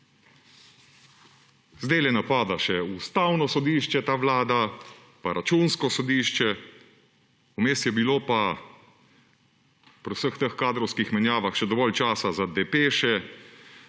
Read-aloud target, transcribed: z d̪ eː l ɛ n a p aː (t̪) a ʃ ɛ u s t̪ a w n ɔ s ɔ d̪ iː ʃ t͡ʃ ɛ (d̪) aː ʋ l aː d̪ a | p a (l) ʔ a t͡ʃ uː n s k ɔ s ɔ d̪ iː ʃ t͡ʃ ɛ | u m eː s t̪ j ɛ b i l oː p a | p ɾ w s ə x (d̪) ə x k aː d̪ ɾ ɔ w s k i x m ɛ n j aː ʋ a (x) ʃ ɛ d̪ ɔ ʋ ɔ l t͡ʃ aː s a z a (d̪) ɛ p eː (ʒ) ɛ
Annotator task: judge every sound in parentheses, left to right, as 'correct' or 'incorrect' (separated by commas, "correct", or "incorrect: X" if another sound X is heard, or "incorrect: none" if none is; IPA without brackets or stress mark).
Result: incorrect: d̪, incorrect: t̪, incorrect: ɾ, incorrect: t̪, correct, correct, incorrect: ʃ